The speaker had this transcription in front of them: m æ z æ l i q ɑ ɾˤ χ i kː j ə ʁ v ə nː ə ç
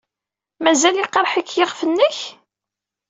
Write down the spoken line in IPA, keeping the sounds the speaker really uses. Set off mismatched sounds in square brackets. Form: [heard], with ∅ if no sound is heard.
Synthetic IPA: m æ z æ l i q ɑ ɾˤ [ħ] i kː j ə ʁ [f] ə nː ə ç